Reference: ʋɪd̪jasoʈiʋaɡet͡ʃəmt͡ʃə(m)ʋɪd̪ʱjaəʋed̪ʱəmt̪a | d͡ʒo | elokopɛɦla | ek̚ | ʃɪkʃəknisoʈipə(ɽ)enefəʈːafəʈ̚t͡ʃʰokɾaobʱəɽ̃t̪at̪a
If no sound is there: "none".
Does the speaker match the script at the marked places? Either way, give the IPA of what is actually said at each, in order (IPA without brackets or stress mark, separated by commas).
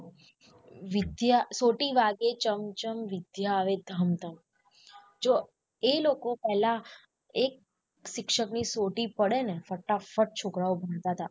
m, ɽ